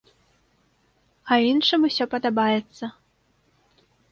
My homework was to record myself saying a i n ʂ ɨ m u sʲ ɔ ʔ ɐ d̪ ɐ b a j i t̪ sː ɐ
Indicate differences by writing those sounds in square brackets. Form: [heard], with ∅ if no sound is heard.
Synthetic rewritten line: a i n ʂ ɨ m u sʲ ɔ [p] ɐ d̪ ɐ b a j [ɛ] t̪ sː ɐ